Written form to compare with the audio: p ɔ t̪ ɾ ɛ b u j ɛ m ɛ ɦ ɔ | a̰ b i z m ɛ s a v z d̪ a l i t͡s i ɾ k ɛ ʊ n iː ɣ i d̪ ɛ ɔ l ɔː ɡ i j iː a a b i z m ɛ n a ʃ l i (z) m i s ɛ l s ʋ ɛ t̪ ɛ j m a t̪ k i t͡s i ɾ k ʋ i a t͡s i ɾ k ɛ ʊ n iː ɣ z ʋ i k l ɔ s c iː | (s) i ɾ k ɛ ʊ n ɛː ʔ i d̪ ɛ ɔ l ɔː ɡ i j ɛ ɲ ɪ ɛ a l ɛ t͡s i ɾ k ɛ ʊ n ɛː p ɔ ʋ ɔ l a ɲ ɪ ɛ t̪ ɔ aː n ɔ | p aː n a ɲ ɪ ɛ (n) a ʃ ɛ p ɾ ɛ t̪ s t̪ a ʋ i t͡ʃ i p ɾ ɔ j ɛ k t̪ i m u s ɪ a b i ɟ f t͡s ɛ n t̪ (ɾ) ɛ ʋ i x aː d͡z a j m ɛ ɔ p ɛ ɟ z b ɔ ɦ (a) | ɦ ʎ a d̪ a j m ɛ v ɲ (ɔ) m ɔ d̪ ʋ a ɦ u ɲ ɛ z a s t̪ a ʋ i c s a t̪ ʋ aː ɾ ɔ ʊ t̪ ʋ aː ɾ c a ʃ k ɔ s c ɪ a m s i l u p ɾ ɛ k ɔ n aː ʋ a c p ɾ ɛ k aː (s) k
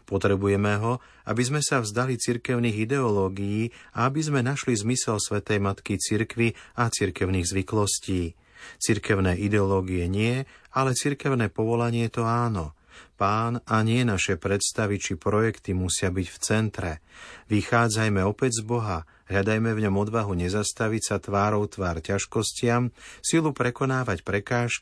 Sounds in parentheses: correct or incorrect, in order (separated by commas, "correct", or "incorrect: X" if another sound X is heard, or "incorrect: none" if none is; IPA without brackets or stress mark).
correct, incorrect: t͡s, correct, correct, correct, correct, incorrect: ʃ